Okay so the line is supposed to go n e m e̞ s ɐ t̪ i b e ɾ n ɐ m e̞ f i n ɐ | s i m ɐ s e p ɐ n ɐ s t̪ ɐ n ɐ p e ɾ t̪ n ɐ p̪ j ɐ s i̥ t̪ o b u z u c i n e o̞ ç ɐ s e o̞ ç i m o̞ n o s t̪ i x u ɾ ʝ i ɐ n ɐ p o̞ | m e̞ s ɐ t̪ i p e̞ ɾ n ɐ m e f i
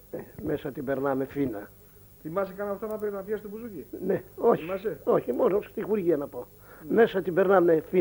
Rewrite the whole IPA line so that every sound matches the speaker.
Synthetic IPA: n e m e̞ s ɐ t̪ i b e ɾ n ɐ m e̞ f i n ɐ | θ i m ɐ s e k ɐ n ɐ f t̪ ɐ n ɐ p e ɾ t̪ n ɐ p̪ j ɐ s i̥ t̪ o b u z u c i n e o̞ ç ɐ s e o̞ ç i m o̞ n o s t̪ i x u ɾ ʝ i ɐ n ɐ p o̞ | m e̞ s ɐ t̪ i b e̞ ɾ n ɐ m e f i